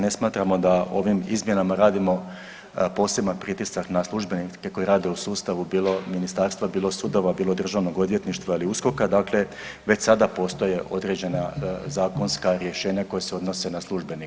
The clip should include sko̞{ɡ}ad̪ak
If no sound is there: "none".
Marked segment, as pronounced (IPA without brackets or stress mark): k